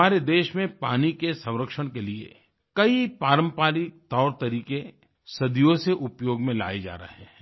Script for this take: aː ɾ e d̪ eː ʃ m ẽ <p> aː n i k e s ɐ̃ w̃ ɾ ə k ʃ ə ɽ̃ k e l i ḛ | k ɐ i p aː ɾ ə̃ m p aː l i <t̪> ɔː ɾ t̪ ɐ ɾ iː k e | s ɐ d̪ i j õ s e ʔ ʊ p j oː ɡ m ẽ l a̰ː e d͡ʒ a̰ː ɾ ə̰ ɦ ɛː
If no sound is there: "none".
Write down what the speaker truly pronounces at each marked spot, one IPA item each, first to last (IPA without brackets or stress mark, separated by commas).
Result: p, t̪